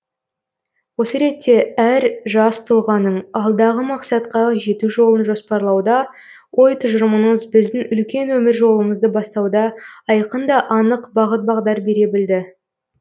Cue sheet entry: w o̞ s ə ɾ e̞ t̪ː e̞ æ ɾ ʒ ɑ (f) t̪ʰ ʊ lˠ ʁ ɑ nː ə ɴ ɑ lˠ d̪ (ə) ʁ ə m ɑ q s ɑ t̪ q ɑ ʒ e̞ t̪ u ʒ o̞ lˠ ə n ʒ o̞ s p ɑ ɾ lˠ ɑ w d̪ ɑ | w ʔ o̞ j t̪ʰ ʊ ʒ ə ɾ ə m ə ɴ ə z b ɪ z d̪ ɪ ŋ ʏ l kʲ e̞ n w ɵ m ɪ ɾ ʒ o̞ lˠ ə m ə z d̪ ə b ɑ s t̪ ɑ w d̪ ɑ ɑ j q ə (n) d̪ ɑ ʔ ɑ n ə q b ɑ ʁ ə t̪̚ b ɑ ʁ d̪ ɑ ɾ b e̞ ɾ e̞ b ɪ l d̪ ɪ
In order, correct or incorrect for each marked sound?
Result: incorrect: s, incorrect: ɑ, correct

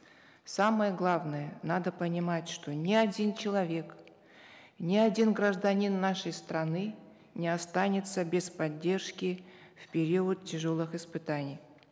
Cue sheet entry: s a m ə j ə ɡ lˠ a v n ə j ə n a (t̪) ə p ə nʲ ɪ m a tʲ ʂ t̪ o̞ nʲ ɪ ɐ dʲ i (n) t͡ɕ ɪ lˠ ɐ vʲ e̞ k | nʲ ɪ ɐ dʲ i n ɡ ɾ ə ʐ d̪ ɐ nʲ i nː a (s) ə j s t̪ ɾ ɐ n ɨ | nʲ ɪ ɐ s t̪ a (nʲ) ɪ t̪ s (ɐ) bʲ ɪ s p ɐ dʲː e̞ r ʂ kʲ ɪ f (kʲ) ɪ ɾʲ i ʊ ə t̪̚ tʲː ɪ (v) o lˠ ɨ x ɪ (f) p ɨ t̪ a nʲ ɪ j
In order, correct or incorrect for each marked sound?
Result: incorrect: d̪, correct, incorrect: ʂ, correct, incorrect: ə, incorrect: pʲ, incorrect: ʐ, incorrect: s

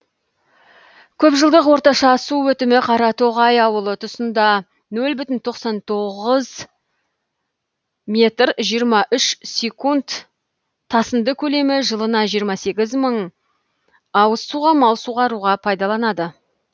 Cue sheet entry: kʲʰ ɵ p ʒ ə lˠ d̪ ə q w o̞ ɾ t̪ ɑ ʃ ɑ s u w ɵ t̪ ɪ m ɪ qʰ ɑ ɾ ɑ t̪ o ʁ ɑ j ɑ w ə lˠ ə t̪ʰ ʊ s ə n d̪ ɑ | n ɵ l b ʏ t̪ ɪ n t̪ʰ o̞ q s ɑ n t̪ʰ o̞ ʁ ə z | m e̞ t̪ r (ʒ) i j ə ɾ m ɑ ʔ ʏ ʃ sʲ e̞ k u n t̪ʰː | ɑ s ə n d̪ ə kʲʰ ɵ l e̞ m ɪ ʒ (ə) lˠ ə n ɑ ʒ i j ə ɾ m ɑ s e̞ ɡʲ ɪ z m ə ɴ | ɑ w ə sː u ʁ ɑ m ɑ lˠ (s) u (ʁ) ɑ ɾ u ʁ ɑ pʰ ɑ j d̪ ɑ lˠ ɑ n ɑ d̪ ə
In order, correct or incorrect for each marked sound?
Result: correct, correct, correct, correct

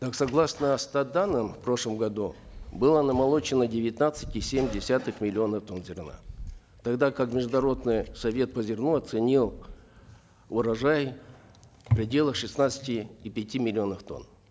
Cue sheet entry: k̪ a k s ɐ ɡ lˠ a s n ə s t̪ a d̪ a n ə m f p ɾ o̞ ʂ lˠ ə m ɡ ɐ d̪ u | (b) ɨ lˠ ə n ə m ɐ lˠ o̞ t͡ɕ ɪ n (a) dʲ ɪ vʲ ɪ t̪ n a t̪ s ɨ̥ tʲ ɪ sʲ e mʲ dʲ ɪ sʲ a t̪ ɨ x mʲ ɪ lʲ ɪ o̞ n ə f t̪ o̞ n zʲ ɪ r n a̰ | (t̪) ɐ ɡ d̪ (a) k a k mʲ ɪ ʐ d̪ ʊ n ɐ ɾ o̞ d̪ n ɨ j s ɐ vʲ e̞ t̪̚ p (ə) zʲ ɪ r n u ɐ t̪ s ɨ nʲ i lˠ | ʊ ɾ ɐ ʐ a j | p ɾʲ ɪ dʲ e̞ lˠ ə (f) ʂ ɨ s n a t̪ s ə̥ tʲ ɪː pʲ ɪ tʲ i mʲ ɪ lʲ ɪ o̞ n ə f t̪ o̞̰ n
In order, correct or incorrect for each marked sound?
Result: correct, incorrect: ə, correct, correct, correct, incorrect: x

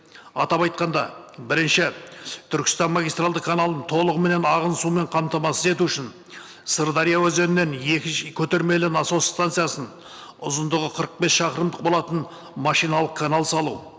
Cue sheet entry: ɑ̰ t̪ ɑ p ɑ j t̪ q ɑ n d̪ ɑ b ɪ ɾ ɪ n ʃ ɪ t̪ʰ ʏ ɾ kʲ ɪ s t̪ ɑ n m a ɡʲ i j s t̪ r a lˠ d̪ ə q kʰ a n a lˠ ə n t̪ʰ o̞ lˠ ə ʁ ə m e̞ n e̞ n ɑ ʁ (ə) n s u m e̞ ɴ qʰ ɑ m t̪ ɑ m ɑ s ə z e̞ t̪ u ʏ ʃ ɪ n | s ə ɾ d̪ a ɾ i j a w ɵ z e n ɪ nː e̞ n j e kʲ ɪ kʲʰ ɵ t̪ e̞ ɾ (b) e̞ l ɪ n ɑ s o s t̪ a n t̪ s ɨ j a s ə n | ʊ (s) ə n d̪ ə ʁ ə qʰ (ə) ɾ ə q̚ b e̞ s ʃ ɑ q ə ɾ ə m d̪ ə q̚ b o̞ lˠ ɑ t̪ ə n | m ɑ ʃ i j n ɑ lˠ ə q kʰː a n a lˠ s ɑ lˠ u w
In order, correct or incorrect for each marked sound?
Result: correct, incorrect: m, incorrect: z, correct

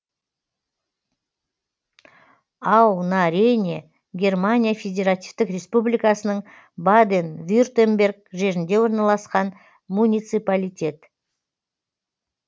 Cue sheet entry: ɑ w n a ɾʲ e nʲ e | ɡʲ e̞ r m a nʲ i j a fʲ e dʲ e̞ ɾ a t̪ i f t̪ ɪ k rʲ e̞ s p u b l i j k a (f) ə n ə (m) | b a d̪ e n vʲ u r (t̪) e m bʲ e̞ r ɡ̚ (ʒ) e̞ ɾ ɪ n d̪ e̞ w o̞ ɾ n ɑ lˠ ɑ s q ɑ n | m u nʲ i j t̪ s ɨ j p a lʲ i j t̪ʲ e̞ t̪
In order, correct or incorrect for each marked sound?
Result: incorrect: s, incorrect: ɴ, correct, correct

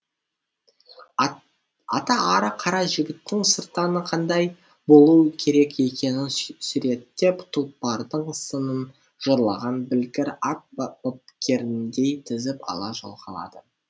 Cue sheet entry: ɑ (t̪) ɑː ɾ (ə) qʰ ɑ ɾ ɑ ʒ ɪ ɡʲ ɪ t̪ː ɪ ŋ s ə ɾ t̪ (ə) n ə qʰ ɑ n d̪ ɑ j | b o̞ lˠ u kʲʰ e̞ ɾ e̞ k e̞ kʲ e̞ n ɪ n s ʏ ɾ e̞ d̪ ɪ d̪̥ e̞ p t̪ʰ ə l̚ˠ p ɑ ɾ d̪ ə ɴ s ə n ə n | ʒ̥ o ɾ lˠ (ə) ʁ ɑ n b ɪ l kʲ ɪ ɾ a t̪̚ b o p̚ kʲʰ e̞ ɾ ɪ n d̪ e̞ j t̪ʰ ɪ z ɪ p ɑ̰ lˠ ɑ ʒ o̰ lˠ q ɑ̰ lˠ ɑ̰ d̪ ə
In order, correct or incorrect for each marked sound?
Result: correct, correct, incorrect: ɑ, incorrect: ɑ

